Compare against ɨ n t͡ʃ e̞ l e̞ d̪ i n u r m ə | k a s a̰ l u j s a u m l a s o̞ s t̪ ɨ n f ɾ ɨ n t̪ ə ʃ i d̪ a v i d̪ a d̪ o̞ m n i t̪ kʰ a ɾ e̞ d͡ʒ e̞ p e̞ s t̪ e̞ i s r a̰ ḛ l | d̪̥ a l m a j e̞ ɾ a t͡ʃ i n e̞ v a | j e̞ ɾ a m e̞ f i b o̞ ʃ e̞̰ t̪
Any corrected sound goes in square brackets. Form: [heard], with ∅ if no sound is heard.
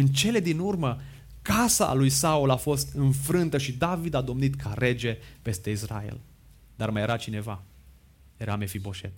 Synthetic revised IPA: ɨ n t͡ʃ e̞ l e̞ d̪ i n u r m ə | k a s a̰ l u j s a u [∅] l a [f] o̞ s t̪ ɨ n f ɾ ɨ n t̪ ə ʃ i d̪ a v i d̪ a d̪ o̞ m n i t̪ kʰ a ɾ e̞ d͡ʒ e̞ p e̞ s t̪ e̞ i s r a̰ ḛ l | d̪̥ a [r] m a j e̞ ɾ a t͡ʃ i n e̞ v a | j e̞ ɾ a m e̞ f i b o̞ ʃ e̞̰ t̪